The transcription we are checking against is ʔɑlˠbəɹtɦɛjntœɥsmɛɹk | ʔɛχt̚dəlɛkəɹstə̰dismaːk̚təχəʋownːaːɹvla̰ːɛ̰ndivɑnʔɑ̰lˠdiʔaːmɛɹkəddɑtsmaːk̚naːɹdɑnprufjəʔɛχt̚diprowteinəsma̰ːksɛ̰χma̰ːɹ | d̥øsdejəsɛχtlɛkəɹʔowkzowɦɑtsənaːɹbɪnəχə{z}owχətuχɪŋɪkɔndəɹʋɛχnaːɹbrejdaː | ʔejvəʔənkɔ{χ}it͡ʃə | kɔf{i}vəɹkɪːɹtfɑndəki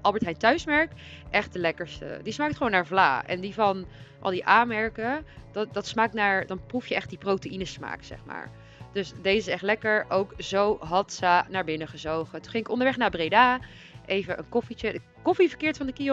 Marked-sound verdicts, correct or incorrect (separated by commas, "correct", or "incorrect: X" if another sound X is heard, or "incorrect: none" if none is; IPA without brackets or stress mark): correct, incorrect: f, correct